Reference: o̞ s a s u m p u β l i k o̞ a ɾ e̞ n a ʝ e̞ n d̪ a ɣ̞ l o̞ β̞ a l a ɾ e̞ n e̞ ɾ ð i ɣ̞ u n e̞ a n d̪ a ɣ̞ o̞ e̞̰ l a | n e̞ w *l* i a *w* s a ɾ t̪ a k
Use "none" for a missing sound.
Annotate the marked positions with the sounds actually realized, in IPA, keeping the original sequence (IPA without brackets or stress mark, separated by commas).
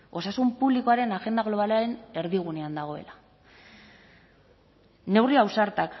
r, w